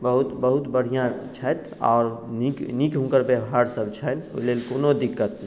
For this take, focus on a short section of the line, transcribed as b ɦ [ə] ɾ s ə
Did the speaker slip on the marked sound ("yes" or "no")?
yes